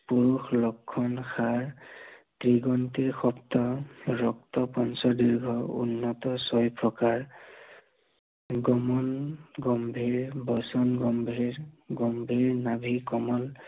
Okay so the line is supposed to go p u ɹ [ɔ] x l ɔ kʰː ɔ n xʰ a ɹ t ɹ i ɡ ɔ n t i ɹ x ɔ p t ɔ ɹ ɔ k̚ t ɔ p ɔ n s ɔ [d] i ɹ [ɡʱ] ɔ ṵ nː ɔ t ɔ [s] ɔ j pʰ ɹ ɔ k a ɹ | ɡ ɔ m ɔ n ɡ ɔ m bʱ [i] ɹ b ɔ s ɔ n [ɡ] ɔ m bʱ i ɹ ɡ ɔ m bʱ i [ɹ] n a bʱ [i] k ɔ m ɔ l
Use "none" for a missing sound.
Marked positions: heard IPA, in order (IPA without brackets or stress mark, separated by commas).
u, d, ɡʱ, s, i, ɡ, ɹ, i